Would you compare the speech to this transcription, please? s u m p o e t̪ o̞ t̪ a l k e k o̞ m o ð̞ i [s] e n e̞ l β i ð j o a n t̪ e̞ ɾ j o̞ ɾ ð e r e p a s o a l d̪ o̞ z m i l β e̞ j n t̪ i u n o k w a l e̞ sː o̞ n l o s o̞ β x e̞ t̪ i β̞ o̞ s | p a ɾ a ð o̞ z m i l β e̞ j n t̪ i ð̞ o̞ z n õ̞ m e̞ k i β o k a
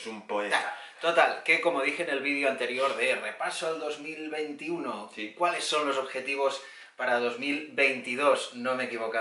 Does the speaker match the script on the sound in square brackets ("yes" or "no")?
no